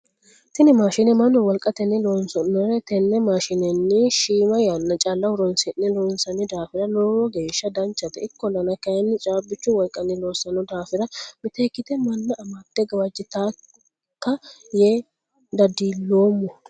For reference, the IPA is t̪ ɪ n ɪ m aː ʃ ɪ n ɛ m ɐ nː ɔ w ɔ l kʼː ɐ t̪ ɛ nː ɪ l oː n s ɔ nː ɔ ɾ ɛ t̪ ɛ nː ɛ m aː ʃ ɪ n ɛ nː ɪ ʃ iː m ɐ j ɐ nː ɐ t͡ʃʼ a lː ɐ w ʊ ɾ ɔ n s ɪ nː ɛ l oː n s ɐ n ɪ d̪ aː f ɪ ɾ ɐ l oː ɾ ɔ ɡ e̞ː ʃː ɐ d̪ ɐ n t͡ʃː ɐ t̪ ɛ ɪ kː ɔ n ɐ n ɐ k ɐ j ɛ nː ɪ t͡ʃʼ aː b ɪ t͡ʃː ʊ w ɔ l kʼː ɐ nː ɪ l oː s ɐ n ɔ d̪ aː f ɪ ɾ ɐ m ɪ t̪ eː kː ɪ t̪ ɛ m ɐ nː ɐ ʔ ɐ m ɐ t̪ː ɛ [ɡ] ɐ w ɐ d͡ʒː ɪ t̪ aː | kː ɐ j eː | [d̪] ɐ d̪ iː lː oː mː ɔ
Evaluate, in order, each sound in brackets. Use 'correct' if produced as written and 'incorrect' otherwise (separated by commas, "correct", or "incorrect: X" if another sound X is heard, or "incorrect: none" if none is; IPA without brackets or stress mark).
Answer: correct, correct